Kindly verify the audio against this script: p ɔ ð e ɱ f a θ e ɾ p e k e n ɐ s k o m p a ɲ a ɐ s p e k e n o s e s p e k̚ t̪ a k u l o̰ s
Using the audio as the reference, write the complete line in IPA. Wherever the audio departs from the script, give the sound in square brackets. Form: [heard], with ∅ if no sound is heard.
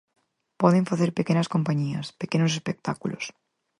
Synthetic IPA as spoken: p ɔ ð e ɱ f a θ e ɾ p e k e n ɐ s k o m p a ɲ [i] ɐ s p e k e n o s e s p e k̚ t̪ a k u l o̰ s